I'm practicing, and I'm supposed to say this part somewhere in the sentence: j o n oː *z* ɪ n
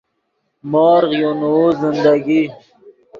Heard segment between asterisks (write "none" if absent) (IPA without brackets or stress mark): z